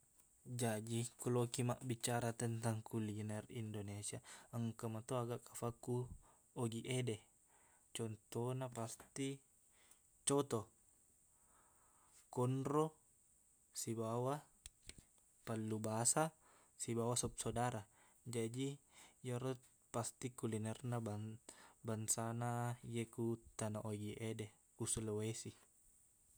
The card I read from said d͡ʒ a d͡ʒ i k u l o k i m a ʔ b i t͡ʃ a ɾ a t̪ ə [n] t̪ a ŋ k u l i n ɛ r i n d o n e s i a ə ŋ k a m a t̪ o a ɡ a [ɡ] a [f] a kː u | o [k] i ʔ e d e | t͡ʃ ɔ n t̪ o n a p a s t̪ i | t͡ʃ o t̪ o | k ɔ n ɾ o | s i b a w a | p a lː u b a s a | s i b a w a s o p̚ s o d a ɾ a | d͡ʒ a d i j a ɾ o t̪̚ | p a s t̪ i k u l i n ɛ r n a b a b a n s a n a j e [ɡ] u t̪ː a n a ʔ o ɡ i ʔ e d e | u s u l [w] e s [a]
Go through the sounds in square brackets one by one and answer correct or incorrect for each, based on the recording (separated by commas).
correct, incorrect, correct, incorrect, incorrect, correct, incorrect